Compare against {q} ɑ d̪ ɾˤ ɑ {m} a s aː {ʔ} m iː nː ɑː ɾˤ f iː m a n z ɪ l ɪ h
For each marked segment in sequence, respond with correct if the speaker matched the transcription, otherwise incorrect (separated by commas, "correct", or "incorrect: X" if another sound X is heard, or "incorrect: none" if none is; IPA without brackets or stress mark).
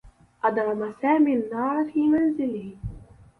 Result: incorrect: ʔ, correct, incorrect: none